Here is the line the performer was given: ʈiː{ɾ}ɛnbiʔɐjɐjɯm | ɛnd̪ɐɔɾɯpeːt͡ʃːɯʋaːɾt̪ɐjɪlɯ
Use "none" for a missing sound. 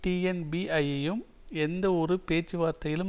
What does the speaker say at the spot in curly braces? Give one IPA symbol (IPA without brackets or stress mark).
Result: none